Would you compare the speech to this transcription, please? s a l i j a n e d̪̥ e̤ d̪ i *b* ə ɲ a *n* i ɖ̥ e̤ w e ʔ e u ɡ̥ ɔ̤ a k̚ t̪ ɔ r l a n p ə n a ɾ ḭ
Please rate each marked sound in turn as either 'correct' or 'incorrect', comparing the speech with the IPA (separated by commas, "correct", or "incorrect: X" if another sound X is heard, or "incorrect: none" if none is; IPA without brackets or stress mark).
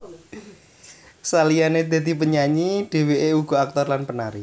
incorrect: p, incorrect: ɲ